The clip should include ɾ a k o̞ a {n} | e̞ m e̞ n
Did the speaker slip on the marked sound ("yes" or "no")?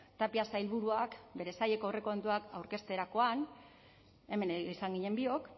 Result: no